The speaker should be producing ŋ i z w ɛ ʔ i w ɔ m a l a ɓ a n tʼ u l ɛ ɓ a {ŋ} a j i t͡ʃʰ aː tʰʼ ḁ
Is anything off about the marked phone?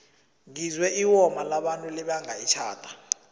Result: no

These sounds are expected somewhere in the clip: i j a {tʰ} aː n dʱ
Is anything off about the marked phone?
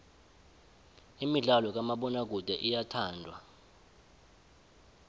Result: no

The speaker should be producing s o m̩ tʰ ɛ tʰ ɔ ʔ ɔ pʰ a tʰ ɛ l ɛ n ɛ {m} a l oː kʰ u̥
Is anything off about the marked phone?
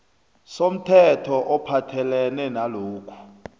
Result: yes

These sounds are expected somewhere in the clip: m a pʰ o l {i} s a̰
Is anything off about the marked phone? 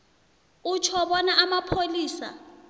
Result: yes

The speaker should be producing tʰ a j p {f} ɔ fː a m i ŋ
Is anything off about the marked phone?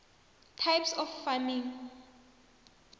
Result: yes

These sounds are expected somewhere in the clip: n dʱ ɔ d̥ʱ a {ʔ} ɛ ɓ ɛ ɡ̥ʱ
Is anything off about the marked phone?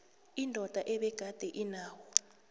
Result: no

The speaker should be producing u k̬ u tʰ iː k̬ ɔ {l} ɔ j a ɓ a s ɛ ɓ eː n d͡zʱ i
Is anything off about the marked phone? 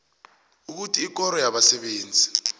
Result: yes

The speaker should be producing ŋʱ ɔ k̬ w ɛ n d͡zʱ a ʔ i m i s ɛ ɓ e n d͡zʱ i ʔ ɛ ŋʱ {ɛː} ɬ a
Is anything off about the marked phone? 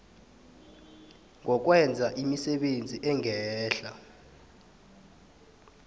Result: no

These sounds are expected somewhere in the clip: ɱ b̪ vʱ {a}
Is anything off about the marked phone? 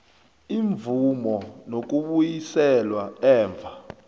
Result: no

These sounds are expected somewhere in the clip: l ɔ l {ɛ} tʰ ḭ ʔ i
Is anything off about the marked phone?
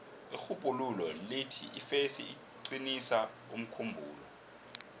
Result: yes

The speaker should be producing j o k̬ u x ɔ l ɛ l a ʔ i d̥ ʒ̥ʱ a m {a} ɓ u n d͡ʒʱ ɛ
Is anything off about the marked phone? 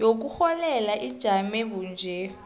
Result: yes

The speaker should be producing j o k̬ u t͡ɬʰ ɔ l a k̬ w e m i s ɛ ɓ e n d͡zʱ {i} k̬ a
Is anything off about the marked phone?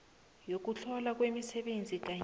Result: no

